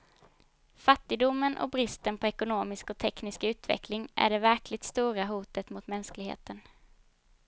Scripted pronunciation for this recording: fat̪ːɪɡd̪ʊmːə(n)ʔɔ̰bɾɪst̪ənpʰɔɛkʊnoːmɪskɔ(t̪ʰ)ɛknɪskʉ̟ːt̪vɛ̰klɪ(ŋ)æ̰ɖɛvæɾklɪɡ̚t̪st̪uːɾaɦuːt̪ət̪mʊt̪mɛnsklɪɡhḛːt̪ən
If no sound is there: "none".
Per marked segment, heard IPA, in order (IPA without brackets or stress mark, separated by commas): n, t̪ʰ, ŋ